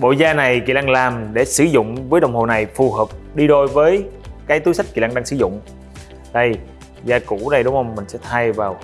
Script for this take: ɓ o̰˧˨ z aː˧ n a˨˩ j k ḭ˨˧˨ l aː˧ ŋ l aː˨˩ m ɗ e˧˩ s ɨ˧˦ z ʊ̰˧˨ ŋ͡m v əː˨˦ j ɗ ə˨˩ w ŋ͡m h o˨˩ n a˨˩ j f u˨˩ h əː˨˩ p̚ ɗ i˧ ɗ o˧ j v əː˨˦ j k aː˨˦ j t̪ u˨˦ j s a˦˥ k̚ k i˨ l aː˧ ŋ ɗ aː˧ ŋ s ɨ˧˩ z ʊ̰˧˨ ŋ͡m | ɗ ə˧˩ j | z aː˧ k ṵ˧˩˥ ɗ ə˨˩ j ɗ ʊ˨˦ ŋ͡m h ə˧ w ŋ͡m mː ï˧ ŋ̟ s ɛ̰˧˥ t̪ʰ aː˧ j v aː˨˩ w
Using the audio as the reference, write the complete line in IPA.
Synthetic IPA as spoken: ɓ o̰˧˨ z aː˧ n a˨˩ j k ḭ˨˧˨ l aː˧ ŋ l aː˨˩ m ɗ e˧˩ s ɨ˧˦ z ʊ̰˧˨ ŋ͡m v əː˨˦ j ɗ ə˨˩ w ŋ͡m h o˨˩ n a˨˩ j f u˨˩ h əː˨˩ p̚ ɗ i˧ ɗ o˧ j v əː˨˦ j k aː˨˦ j t̪ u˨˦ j s a˦˥ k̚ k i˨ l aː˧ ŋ ɗ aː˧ ŋ s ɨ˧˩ z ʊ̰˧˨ ŋ͡m | ɗ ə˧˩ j | z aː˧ k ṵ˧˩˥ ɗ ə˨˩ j ɗ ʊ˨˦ ŋ͡m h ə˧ w ŋ͡m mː ï˨˩ ŋ̟ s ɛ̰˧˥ t̪ʰ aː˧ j v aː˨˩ w

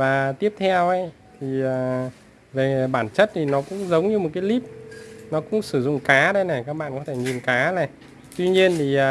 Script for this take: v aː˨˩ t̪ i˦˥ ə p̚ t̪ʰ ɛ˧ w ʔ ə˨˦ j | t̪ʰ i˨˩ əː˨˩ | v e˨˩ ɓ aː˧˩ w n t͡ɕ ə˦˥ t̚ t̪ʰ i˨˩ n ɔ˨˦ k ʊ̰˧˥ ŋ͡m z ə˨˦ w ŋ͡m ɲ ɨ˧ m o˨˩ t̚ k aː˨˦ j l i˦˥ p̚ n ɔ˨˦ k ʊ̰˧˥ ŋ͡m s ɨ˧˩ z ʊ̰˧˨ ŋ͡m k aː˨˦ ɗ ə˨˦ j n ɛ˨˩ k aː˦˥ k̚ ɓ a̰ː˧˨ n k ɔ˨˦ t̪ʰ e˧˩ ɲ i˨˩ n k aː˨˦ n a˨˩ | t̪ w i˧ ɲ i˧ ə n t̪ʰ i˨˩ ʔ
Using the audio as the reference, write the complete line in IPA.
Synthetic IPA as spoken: v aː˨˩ t̪ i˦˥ ə p̚ t̪ʰ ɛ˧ w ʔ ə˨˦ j | t̪ʰ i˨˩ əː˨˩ | v e˨˩ ɓ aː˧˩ n t͡ɕ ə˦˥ t̚ t̪ʰ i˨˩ n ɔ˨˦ k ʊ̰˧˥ ŋ͡m z ə˨˦ w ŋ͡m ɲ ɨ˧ m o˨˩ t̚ k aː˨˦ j l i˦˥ p̚ n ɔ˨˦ k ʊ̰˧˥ ŋ͡m s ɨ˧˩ z ʊ̰˧˨ ŋ͡m k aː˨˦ ɗ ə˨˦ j n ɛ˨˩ k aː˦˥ k̚ ɓ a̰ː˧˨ n k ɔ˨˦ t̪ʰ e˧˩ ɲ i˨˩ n k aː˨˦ n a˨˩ | t̪ w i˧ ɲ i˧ ə n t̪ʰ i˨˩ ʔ

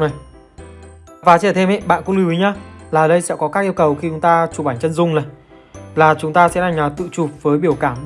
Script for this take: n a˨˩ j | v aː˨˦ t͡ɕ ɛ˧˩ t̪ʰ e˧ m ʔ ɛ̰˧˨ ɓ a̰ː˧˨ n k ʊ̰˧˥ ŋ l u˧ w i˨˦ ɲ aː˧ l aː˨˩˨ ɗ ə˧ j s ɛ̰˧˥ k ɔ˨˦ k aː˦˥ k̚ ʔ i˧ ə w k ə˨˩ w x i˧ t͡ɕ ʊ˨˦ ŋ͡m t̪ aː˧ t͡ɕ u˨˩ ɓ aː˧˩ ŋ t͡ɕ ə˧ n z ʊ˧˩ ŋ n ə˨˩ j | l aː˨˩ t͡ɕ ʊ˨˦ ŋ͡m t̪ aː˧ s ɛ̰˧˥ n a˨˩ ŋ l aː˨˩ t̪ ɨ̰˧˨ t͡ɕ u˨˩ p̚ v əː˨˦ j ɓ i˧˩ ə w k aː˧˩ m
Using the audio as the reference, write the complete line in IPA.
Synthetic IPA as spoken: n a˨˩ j | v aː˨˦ t͡ɕ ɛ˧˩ t̪ʰ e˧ m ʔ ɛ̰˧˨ ɓ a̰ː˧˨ n k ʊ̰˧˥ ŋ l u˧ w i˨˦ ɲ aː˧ l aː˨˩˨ ɗ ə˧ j s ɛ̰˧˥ k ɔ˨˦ k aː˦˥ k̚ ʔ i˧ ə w k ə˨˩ w x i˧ t͡ɕ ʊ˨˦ ŋ͡m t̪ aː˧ t͡ɕ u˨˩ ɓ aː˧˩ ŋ t͡ɕ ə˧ n z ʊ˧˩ ŋ͡m n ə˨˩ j | l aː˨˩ t͡ɕ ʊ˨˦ ŋ͡m t̪ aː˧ s ɛ̰˧˥ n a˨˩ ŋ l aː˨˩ t̪ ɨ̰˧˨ t͡ɕ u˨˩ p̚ v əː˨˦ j ɓ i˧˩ ə w k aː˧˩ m

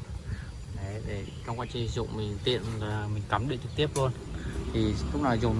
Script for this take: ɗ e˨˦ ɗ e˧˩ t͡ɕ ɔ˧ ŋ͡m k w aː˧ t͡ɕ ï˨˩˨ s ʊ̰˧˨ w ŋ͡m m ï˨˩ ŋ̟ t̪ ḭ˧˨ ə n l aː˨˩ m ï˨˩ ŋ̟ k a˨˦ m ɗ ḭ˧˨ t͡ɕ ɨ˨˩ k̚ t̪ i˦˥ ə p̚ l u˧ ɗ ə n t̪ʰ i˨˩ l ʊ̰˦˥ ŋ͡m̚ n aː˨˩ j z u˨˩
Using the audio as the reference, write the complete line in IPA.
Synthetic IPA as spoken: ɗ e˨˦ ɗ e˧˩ t͡ɕ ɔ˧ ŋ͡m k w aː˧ t͡ɕ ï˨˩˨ z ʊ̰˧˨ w ŋ͡m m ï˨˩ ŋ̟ t̪ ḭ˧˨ ə n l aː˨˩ m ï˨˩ ŋ̟ k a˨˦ m ɗ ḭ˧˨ t͡ɕ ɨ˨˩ k̚ t̪ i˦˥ ə p̚ l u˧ ə n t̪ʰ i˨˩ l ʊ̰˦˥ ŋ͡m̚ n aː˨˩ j z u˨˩

